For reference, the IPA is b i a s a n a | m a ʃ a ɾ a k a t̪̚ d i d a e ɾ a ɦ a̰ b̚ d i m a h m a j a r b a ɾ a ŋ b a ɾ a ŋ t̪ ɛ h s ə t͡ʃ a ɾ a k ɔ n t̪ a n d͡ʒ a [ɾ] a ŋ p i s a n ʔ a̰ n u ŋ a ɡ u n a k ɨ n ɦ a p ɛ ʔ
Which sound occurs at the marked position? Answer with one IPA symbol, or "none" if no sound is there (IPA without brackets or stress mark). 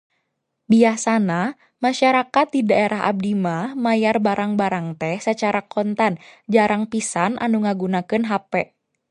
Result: ɾ